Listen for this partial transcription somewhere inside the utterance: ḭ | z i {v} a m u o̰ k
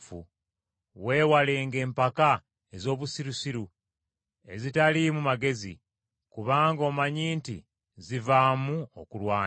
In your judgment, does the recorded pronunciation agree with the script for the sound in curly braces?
yes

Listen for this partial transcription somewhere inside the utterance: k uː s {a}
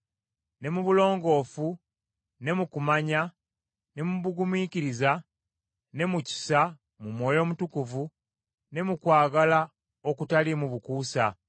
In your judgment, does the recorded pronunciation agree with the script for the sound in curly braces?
yes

